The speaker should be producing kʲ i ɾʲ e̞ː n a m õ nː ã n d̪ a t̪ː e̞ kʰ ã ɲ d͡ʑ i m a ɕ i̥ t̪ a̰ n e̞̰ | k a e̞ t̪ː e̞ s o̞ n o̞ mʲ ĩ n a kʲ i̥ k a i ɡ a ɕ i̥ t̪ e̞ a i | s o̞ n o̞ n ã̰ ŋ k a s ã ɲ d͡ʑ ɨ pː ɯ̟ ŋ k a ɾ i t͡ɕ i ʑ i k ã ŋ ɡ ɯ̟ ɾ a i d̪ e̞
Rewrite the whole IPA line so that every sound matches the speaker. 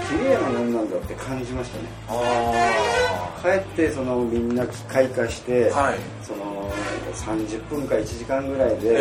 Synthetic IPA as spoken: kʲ i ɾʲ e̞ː n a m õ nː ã n d̪ a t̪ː e̞ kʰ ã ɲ d͡ʑ i m a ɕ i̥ t̪ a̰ n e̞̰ | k a e̞ t̪ː e̞ s o̞ n o̞ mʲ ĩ nː a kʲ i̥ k a i k a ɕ i̥ t̪ e̞ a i | s o̞ n o̞ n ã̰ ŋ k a s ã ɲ d͡ʑ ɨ pː ɯ̟̃ ŋ k a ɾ i t͡ɕ i ʑ i k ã ŋ ɡ ɯ̟ ɾ a i d̪ e̞